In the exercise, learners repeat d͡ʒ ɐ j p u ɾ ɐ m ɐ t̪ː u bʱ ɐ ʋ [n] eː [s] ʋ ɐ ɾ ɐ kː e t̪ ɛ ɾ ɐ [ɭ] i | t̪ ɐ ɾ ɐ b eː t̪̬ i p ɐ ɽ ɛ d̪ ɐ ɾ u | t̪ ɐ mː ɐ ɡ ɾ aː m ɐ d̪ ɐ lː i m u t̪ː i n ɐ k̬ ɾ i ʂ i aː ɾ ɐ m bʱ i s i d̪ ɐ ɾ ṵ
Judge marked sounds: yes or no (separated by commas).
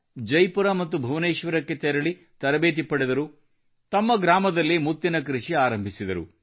yes, no, yes